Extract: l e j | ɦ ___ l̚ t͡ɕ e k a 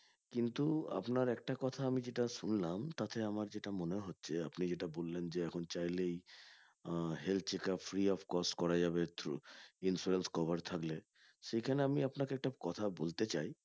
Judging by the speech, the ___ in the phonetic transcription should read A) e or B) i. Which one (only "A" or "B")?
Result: A